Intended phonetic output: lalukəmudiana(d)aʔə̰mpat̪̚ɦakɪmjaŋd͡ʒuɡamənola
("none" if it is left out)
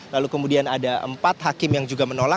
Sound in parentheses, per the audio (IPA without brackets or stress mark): d